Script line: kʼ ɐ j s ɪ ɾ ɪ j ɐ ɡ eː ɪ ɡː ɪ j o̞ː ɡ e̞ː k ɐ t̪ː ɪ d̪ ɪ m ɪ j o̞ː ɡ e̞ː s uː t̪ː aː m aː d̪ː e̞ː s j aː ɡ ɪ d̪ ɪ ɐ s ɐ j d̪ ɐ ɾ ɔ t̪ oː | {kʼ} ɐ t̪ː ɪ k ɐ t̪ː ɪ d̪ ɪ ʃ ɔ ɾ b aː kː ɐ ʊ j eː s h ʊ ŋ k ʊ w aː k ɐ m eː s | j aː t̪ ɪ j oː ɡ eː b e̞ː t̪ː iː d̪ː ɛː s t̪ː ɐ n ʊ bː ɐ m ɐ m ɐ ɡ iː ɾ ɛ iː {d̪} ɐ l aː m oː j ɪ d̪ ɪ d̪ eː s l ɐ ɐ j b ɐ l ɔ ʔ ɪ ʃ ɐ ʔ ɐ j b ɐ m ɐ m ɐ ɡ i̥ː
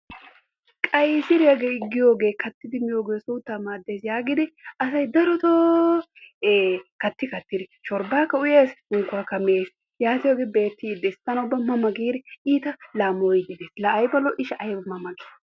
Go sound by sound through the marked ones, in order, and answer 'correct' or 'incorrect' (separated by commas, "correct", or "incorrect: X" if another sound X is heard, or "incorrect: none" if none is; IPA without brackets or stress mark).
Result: incorrect: k, incorrect: t̪